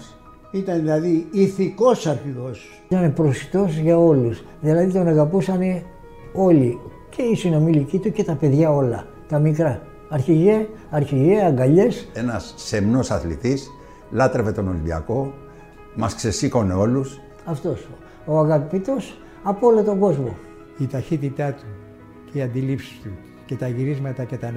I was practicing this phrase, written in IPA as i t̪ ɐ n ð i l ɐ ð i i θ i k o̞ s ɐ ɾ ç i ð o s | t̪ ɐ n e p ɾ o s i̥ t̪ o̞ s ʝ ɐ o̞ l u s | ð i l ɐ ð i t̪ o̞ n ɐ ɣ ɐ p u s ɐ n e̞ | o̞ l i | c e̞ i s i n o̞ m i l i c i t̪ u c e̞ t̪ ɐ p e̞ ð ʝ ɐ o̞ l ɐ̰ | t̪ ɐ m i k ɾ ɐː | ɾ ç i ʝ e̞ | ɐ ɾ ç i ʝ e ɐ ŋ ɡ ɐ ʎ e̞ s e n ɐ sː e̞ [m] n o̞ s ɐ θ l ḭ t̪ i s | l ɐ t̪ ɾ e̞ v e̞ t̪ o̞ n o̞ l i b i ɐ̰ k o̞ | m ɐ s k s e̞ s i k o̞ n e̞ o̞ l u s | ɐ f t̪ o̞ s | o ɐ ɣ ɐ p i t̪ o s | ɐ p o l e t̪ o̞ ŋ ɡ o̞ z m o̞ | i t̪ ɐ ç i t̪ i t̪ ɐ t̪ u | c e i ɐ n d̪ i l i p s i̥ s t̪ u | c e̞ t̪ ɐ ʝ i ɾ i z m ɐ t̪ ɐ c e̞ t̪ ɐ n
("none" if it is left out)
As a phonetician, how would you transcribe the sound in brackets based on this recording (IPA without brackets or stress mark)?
m